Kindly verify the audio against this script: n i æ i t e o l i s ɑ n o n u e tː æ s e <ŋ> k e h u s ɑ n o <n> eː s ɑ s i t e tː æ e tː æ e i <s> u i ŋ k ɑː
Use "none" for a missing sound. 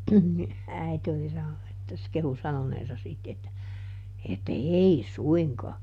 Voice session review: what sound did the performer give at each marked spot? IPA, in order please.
none, n, s

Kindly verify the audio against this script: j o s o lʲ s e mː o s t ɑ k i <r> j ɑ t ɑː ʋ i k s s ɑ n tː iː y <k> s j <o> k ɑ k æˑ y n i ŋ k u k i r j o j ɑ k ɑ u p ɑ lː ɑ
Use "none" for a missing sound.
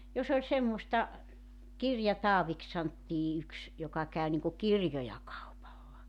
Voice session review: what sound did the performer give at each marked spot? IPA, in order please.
r, k, o

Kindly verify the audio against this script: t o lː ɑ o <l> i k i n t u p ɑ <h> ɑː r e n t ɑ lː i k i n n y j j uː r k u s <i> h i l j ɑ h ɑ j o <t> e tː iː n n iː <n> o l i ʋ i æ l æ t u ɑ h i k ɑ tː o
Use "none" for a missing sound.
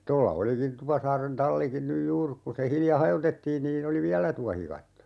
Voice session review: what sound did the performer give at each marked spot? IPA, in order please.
l, s, e, t, n

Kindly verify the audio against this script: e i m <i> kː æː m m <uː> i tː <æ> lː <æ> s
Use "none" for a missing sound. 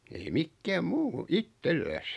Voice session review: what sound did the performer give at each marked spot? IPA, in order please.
i, uː, e, æ

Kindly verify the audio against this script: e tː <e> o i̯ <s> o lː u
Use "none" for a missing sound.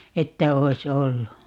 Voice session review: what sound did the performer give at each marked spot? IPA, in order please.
æ, s

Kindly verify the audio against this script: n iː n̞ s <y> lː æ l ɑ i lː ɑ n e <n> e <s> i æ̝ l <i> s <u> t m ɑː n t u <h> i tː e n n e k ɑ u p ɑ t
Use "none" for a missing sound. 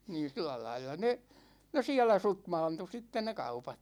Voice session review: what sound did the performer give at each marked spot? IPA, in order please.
i, n, s, æ, u, s

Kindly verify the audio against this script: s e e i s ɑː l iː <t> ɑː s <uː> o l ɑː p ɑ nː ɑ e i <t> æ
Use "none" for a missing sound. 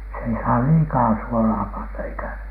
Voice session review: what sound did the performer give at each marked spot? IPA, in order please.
k, u, k

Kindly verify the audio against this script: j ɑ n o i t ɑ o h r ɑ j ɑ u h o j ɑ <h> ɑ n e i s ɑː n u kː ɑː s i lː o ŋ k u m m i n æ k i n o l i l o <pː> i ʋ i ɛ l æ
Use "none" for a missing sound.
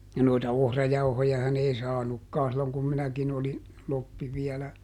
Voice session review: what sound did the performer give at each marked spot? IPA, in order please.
h, pː

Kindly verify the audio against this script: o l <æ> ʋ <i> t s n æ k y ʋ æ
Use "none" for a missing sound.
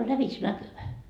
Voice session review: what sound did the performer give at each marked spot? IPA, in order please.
æ, i

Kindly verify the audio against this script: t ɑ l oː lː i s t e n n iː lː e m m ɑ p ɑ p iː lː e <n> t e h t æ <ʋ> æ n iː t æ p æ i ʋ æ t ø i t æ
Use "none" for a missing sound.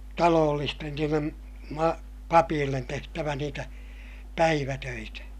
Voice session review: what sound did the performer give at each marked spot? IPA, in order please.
n, ʋ

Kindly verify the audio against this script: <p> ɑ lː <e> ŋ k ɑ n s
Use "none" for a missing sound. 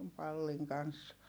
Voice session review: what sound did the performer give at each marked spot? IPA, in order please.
p, i

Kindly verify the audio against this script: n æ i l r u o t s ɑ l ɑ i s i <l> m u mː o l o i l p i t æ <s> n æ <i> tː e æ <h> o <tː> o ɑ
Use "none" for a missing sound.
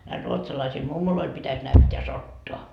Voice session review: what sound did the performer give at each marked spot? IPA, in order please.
l, s, y, s, tː

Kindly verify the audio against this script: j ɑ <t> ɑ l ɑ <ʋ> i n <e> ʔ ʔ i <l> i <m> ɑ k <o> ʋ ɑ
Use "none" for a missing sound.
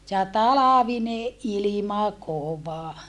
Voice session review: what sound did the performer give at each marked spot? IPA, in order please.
t, ʋ, e, l, m, o

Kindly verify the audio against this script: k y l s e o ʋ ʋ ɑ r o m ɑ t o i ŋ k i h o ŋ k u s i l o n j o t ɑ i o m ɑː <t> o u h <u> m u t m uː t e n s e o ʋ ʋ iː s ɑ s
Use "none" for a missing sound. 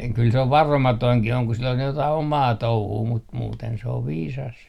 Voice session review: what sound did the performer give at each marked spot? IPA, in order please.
t, uː

